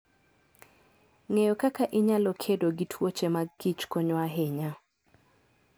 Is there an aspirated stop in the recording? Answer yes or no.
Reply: yes